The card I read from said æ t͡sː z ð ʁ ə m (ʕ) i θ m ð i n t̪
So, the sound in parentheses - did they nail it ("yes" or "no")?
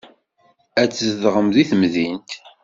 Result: no